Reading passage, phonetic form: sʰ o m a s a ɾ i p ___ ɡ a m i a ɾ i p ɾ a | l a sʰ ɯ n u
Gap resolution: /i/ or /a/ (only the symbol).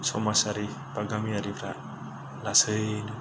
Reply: a